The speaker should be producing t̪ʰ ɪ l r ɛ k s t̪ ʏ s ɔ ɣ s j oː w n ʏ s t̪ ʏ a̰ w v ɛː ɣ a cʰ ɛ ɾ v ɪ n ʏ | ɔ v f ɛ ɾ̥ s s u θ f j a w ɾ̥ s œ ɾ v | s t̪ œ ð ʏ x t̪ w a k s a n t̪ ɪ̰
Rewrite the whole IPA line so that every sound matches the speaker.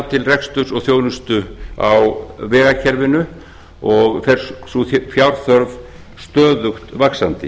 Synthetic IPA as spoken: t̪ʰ ɪ l r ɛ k s t̪ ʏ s ɔ ɣ θ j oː w n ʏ s t̪ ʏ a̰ w v ɛː ɣ a cʰ ɛ ɾ v ɪ n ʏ | ɔ ɣ f ɛ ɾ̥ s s u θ f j a w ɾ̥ θ œ ɾ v | s t̪ œː ð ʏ x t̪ v a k s a n t̪ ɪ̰